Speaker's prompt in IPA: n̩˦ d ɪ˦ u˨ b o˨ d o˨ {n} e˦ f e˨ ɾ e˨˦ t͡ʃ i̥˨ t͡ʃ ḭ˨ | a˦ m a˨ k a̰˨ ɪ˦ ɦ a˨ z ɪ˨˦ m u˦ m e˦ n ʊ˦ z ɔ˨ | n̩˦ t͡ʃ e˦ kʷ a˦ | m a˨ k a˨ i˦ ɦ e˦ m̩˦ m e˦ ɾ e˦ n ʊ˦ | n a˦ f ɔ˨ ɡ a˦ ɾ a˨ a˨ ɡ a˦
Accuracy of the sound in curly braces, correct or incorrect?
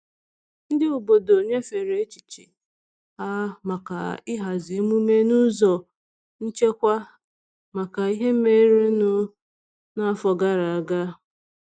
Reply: incorrect